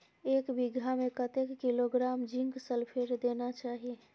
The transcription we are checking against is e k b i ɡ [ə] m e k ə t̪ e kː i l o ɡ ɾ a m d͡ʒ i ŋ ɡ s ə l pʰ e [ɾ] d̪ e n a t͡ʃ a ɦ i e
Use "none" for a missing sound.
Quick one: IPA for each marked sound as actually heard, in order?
a, ɾ

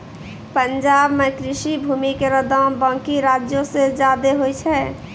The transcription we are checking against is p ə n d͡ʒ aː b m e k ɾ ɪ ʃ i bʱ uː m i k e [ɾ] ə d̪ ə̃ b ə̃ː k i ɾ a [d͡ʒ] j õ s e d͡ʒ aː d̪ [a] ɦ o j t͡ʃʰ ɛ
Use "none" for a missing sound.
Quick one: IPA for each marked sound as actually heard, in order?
ɾ, d͡ʒ, e

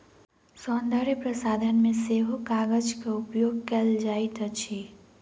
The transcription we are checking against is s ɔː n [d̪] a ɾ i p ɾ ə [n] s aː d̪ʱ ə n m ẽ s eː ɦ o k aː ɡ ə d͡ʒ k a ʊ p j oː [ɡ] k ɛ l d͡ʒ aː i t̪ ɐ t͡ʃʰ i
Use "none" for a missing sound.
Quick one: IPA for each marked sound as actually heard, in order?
d̪, none, ɡ

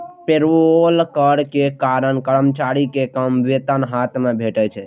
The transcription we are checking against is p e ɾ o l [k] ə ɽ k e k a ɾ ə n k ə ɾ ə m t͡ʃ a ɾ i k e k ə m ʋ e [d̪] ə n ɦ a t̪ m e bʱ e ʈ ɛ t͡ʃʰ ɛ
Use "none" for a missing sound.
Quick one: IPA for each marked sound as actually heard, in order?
k, t̪

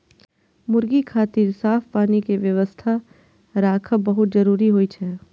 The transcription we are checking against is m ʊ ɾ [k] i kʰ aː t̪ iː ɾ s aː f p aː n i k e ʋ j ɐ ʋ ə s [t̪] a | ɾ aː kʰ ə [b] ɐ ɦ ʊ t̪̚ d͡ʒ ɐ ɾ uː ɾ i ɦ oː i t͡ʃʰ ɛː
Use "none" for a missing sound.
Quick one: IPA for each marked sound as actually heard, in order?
ɡ, t̪ʰ, b

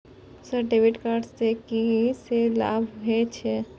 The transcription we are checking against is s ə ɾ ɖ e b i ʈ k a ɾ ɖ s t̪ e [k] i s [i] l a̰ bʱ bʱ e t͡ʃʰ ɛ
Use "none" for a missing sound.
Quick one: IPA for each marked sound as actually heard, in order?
k, e

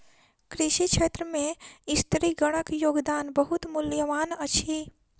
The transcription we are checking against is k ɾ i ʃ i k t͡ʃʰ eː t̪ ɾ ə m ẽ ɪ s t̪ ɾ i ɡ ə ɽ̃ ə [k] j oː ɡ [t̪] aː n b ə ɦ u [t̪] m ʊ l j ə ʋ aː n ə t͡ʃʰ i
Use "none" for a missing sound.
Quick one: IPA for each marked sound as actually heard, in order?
k, d̪, t̪

